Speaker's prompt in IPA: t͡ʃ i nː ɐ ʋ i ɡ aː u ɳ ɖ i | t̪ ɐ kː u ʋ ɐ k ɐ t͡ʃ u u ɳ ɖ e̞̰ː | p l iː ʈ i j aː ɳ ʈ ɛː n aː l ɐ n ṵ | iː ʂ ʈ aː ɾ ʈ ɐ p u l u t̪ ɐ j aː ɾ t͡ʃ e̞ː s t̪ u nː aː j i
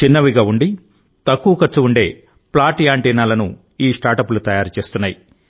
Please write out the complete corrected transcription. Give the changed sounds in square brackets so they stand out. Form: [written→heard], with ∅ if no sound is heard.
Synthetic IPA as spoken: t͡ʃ i nː ɐ ʋ i ɡ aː u ɳ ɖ i | t̪ ɐ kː u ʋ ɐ k ɐ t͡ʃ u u ɳ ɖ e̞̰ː | p l [iː→aː] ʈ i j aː ɳ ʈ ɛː n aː l ɐ n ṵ | iː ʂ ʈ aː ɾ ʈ ɐ p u l u t̪ ɐ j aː ɾ t͡ʃ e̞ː s t̪ u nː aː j i